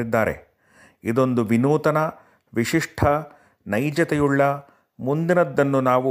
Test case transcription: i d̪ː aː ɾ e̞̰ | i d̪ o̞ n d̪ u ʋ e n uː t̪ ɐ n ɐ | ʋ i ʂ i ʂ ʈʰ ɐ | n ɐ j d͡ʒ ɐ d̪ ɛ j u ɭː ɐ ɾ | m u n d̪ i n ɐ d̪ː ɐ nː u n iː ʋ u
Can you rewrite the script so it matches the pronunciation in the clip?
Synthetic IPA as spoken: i d̪ː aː ɾ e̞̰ | i d̪ o̞ n d̪ u ʋ i n uː t̪ ɐ n ɐ | ʋ i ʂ i ʂ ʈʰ ɐ | n ɐ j d͡ʒ ɐ t̪ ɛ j u ɭː ɐ | m u n d̪ i n ɐ d̪ː ɐ nː u n aː ʋ u